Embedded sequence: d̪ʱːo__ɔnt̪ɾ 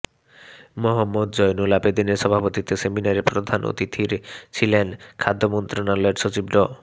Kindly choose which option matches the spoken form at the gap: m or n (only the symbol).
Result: m